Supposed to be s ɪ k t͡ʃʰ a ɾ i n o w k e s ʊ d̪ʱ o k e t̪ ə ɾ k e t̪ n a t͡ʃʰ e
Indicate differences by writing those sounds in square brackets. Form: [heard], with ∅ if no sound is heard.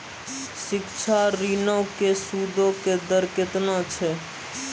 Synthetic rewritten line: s ɪ k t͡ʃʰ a ɾ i n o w k e s [u] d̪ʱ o k e [d̪] ə ɾ k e t̪ n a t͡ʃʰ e